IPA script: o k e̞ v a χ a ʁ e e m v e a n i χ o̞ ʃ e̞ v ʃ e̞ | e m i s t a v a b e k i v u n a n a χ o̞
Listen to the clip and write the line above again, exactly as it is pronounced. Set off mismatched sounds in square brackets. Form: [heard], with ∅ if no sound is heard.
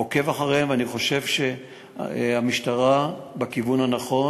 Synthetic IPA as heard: o k e̞ v a χ a ʁ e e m v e a n i χ o̞ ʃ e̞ v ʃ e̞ | [a] m i [ʃ] t a [ʁ] a b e k i v u n a n a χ o̞